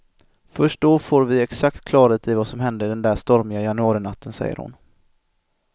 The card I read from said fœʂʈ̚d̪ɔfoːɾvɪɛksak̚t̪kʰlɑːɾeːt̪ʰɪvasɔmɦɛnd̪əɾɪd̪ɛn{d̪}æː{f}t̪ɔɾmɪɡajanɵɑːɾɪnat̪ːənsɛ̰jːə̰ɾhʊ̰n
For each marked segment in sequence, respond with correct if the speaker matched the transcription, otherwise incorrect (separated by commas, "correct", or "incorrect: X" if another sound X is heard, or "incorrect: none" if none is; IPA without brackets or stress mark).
correct, incorrect: ʂ